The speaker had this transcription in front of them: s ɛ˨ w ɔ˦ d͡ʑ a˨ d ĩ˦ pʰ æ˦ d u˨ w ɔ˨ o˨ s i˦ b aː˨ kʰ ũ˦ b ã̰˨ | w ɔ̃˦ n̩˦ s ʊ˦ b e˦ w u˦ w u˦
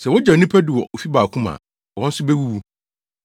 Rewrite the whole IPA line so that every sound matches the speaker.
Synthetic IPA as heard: s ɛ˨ w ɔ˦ d͡ʑ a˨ n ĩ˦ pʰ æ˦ d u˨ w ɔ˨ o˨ f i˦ b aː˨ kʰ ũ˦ m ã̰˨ | w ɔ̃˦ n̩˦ s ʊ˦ b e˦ w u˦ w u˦